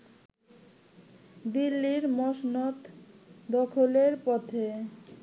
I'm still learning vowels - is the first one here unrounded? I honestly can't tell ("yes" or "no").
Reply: yes